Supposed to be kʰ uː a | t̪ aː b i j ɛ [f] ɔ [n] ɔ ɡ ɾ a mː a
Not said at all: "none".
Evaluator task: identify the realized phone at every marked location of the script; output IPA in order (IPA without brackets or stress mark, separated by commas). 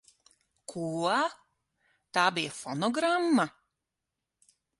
f, n